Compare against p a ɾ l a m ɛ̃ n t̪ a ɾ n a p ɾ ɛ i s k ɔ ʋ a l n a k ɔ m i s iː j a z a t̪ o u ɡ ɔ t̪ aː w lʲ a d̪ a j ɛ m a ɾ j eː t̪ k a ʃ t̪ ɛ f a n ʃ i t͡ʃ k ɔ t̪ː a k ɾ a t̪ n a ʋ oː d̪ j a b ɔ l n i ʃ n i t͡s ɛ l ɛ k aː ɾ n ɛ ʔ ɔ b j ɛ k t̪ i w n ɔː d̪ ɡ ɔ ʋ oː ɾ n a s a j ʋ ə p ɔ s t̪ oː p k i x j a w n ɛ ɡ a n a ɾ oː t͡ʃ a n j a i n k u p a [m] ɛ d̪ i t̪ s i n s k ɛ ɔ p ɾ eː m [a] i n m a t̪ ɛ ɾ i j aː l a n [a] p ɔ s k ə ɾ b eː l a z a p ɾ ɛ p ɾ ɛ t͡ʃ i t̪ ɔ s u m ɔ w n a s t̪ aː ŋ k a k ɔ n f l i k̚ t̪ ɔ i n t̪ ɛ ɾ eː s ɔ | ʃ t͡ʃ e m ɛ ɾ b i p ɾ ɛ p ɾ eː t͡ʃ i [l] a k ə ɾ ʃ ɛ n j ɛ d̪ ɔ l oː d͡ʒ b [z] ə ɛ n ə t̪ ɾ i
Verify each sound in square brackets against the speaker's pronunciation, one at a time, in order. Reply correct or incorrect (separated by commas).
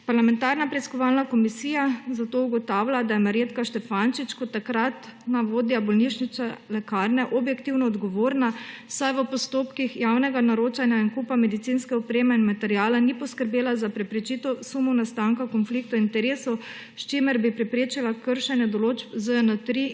correct, incorrect, incorrect, correct, correct